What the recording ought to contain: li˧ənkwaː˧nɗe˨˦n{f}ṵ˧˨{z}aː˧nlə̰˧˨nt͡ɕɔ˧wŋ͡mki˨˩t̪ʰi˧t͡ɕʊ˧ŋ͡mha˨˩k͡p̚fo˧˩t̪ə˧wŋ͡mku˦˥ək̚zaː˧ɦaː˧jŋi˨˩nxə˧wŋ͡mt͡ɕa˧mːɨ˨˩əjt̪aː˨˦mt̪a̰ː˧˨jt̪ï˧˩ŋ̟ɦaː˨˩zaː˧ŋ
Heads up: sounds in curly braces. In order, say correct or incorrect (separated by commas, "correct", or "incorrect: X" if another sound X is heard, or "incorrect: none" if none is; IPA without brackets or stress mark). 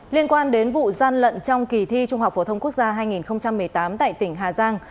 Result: incorrect: v, correct